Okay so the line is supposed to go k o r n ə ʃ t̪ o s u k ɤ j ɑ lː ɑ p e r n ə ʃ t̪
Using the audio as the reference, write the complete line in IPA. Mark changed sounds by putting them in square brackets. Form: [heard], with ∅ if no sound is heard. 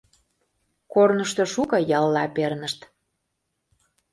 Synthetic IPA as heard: k o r n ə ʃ t̪ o [ʃ] u k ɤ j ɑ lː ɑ p e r n ə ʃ t̪